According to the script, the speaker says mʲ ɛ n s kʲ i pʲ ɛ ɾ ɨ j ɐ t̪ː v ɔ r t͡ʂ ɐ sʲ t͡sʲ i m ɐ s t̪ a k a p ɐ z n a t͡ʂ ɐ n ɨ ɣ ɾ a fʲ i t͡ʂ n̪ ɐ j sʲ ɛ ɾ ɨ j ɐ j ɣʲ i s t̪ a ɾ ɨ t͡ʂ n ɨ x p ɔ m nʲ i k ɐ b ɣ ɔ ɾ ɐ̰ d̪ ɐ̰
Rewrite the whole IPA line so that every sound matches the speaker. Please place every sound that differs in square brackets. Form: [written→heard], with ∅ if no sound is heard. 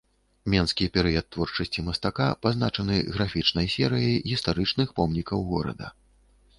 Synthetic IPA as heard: mʲ ɛ n s kʲ i pʲ ɛ ɾ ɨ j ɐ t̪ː v ɔ r t͡ʂ ɐ sʲ t͡sʲ i m ɐ s t̪ a k a p [ɐ→a] z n a t͡ʂ ɐ n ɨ ɣ ɾ a fʲ i t͡ʂ n̪ ɐ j sʲ ɛ ɾ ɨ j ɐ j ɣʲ i s t̪ a ɾ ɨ t͡ʂ n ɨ x p ɔ m nʲ i k ɐ [b→w] ɣ ɔ ɾ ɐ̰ d̪ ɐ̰